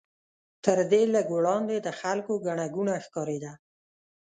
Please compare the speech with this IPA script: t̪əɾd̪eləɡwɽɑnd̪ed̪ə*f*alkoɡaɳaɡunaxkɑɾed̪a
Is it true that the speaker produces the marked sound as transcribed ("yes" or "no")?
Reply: no